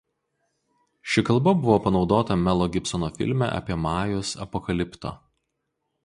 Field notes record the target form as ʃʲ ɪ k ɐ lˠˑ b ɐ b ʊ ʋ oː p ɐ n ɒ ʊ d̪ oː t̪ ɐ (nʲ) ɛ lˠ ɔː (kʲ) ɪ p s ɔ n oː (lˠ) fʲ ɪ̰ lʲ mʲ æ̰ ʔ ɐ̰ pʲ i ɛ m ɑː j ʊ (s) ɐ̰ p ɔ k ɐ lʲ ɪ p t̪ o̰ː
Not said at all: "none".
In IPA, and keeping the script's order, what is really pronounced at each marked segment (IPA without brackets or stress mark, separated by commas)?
mʲ, ɡʲ, none, s